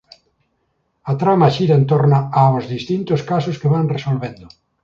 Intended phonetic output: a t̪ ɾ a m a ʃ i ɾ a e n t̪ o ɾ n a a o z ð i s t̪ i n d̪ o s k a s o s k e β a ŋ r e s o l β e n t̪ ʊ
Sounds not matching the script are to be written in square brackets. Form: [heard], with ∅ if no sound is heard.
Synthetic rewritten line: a t̪ ɾ a m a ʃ i ɾ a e n t̪ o ɾ n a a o z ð i s t̪ i n [t̪] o s k a s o s k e β a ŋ r e s o l β e n [d̪] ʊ